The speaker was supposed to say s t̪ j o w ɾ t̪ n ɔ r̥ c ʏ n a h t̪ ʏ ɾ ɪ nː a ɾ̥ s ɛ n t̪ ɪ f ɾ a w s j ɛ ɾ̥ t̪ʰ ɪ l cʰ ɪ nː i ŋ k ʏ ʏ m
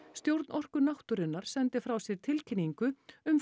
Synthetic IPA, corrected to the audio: s t̪ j o w ɾ t̪ n ɔ r̥ k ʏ n a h t̪ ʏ ɾ ɪ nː a ɾ̥ s ɛ n t̪ ɪ f ɾ a w s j ɛ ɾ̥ t̪ʰ ɪ l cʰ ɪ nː i ŋ k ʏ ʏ m